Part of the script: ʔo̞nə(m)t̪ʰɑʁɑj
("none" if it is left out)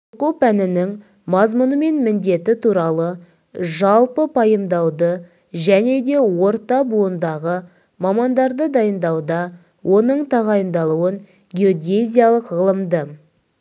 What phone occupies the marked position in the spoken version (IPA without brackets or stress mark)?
ɴ